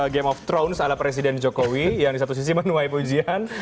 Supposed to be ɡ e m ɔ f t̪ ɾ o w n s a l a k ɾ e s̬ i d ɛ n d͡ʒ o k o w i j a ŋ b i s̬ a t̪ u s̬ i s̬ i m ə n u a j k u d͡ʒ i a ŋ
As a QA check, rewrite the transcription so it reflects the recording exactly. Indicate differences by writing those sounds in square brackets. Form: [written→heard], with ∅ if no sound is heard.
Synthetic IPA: ɡ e m ɔ f t̪ ɾ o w n s a l a [k→p] ɾ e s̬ i d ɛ n d͡ʒ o k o w i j a ŋ [b→d] i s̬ a t̪ u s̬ i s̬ i m ə n u a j [k→p] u d͡ʒ i a [ŋ→n]

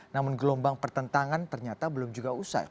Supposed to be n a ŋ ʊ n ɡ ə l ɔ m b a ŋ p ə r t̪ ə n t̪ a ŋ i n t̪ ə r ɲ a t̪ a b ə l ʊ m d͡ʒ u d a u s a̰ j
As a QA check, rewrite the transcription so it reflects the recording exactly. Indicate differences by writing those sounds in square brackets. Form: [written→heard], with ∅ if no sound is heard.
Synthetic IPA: n a [ŋ→m] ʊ n ɡ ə l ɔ m b a ŋ p ə r t̪ ə n t̪ a ŋ [i→a] n t̪ ə r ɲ a t̪ a b ə l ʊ m d͡ʒ u [d→ɡ] a u s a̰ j

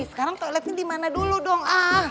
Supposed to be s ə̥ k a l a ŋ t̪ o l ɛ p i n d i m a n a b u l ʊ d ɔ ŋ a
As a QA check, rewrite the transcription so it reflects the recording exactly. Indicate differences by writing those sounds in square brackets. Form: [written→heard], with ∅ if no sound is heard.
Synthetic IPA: s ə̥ k a [l→ɾ] a ŋ t̪ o l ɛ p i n d i m a n a [b→d] u l [ʊ→u] d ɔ ŋ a

